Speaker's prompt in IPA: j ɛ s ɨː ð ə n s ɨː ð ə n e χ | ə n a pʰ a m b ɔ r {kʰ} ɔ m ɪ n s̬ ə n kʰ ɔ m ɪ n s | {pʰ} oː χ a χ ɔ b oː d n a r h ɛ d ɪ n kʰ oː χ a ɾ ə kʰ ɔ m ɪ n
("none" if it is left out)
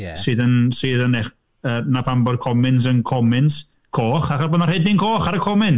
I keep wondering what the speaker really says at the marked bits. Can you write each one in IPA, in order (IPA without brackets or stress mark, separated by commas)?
kʰ, kʰ